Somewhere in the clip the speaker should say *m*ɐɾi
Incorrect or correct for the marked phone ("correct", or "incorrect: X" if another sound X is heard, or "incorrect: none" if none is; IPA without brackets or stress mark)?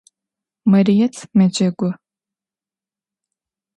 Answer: correct